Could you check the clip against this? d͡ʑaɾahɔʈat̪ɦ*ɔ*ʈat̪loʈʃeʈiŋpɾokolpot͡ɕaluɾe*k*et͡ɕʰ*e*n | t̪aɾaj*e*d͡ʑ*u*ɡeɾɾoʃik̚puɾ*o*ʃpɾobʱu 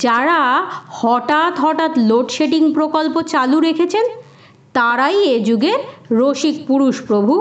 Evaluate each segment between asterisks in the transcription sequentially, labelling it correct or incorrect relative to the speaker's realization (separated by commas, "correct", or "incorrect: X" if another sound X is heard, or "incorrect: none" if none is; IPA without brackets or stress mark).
correct, incorrect: kʰ, correct, correct, correct, incorrect: u